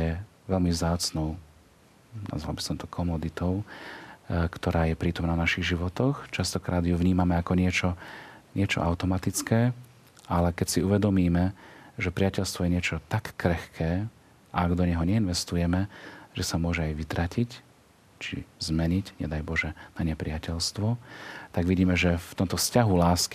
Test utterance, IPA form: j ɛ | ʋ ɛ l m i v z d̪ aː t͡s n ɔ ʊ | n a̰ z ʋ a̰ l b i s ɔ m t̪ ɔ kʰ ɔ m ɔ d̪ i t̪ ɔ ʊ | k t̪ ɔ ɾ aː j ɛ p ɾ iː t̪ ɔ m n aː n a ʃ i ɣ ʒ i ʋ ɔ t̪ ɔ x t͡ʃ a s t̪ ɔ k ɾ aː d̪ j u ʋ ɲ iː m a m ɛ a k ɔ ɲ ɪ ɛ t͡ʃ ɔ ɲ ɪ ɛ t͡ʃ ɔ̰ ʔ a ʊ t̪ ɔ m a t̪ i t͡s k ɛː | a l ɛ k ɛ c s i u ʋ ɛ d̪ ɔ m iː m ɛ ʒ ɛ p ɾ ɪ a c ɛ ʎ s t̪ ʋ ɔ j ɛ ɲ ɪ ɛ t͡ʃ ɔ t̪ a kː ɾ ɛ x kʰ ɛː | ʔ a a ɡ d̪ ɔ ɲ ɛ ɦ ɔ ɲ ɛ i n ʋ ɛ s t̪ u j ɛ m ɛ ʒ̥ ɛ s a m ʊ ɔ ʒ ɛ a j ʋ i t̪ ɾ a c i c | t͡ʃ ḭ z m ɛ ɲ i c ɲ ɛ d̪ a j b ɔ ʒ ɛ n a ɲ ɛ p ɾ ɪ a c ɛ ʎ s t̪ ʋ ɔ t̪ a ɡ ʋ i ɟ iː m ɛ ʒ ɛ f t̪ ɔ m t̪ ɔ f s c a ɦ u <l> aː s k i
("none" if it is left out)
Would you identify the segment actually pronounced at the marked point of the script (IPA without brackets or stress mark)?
l